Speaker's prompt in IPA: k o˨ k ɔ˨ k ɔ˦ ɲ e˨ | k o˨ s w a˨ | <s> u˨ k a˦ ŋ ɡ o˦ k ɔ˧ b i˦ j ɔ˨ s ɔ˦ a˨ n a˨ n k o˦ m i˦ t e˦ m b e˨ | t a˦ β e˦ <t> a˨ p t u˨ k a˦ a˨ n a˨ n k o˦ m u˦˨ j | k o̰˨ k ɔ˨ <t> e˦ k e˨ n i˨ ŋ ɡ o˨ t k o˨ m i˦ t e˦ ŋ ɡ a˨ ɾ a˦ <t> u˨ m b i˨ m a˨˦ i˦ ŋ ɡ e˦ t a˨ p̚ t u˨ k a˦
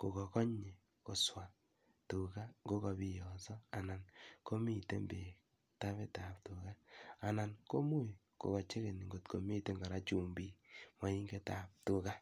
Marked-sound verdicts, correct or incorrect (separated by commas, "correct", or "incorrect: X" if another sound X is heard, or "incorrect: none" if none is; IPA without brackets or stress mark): incorrect: t, correct, incorrect: t͡ʃ, incorrect: t͡ʃ